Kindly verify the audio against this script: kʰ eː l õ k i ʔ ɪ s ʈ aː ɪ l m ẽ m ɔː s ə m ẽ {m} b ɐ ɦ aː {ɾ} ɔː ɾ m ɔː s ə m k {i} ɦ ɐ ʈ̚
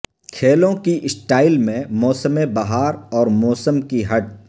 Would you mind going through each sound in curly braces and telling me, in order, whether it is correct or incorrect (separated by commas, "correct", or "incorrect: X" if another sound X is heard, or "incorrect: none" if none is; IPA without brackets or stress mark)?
incorrect: none, correct, correct